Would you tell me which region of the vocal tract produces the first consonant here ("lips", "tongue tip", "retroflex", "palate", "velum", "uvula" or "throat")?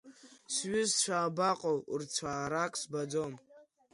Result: tongue tip